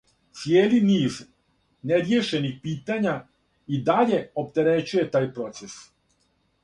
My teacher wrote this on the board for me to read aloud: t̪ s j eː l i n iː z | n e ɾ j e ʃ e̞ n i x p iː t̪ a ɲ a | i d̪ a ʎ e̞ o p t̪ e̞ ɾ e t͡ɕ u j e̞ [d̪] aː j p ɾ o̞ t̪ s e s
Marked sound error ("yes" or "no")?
yes